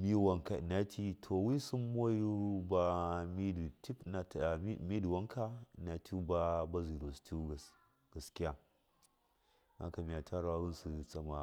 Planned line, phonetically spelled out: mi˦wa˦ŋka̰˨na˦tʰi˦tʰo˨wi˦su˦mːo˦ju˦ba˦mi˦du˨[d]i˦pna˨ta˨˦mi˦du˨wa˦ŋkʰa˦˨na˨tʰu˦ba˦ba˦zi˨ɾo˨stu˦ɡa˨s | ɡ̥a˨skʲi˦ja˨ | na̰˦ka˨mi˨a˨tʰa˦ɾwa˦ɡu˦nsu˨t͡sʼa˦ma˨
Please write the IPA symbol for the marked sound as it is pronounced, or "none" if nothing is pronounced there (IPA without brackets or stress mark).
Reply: t